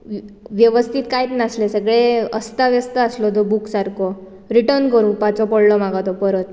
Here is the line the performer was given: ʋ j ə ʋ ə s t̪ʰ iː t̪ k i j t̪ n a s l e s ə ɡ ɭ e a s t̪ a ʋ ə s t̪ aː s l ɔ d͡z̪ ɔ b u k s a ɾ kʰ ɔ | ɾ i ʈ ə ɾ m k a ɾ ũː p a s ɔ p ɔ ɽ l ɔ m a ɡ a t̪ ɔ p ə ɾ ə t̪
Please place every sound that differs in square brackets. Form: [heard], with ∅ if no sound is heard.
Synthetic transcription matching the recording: ʋ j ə ʋ ə s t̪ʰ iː t̪ k [a] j t̪ n a s l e s ə ɡ ɭ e [ə] s t̪ a ʋ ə s t̪ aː s l ɔ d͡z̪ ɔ b u k s a ɾ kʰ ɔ | ɾ i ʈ ə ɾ [n] k [ə] ɾ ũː p a [t͡s] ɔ p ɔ ɽ l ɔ m a ɡ a t̪ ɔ p ə ɾ ə t̪